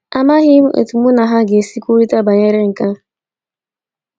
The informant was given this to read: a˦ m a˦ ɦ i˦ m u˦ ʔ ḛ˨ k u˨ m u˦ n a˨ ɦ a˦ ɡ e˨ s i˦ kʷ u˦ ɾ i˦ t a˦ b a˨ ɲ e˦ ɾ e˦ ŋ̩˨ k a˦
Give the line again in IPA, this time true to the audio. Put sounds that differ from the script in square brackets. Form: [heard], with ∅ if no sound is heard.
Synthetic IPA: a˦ m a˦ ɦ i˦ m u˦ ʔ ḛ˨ [t] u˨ m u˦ n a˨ ɦ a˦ ɡ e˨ s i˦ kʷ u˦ ɾ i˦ t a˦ b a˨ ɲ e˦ ɾ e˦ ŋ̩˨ k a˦